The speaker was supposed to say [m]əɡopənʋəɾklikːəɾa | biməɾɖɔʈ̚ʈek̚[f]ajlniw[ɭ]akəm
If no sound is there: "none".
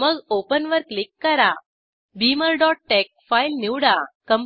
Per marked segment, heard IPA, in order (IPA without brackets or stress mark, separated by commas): m, f, ɽ